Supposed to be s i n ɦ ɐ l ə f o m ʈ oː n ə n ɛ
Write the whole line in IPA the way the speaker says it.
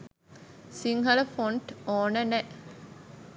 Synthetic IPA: s i ŋ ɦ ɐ l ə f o ɳ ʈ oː n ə n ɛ